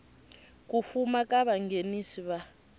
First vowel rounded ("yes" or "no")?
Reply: yes